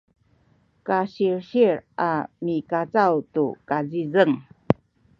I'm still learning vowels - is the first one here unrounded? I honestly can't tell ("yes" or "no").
yes